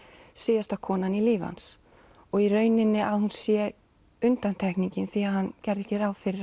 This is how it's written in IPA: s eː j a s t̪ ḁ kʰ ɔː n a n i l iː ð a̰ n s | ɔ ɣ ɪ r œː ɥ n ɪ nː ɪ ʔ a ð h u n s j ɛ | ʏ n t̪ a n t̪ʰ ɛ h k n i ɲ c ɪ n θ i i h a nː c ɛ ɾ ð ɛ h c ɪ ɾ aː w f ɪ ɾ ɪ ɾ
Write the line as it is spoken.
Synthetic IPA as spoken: s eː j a s t̪ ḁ kʰ ɔː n a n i l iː v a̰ n s | ɔ ɣ i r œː ɥ n ɪ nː ɪ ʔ a ð h u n s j ɛ | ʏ n t̪ a n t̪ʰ ɛ h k n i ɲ c ɪ n θ i a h a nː c ɛ ɾ ð ɛ h c ɪ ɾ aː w f ɪ ɾ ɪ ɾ